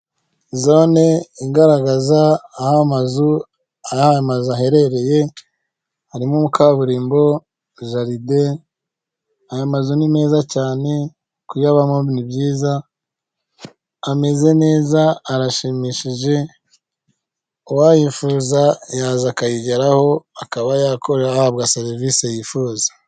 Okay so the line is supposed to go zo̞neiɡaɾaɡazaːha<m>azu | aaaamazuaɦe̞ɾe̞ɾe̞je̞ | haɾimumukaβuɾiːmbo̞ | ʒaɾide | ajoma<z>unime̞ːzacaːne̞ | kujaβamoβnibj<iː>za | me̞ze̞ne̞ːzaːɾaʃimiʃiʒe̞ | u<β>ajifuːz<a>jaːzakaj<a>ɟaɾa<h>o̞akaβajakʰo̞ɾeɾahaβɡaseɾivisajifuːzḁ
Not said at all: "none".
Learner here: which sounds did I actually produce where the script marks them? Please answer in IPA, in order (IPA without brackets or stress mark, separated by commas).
m, z, iː, w, a, i, h